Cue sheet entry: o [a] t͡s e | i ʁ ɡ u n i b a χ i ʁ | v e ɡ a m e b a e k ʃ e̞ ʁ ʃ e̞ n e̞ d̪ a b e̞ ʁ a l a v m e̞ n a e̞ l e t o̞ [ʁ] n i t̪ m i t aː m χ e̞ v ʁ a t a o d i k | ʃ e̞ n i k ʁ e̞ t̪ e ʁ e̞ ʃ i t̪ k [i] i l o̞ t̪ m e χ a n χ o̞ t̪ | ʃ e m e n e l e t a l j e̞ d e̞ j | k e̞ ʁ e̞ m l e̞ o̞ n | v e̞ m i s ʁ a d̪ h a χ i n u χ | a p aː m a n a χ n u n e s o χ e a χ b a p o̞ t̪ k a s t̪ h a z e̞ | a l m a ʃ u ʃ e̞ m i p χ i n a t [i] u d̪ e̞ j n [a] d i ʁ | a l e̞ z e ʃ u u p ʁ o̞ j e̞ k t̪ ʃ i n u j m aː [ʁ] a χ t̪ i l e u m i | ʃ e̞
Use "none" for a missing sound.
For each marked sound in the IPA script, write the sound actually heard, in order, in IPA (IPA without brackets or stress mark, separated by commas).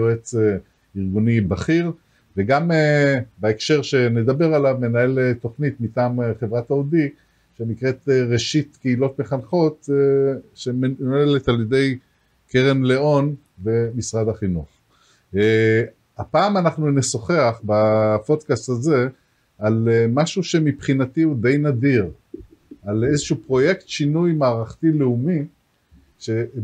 e, χ, e, i, a, ʁ